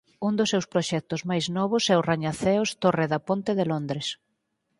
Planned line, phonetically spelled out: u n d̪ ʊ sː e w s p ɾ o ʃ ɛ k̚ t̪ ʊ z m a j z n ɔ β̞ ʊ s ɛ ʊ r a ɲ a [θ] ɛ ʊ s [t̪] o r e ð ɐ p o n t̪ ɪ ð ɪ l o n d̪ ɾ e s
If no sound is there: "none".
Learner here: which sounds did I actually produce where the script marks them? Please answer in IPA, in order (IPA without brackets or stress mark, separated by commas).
θ, t̪